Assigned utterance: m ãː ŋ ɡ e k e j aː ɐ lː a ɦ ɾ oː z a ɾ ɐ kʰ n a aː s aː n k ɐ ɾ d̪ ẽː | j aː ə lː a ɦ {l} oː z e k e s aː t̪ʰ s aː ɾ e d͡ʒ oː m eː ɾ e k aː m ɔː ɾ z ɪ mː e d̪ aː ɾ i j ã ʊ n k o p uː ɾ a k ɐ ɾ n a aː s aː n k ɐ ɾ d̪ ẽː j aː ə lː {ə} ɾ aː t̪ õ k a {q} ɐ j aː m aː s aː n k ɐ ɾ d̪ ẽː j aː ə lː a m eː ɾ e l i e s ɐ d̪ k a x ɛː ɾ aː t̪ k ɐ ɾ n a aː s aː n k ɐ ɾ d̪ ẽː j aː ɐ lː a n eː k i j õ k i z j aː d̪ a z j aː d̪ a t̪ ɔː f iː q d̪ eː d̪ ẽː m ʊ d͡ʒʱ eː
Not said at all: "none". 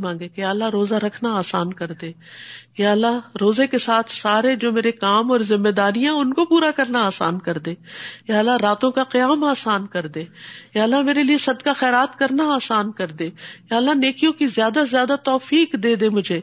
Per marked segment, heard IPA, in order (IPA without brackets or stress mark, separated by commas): ɾ, a, q